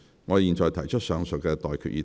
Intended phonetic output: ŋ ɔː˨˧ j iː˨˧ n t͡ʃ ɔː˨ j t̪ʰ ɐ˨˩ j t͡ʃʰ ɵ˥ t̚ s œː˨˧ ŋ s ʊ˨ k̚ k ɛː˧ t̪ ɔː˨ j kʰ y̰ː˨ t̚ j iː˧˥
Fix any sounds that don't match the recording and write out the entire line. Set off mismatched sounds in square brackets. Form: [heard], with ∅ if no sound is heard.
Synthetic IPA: ŋ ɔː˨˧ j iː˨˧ n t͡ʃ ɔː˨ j t̪ʰ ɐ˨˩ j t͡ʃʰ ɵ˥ t̚ s œː˨˧ ŋ s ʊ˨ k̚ k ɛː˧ t̪ ɔː˨ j kʰ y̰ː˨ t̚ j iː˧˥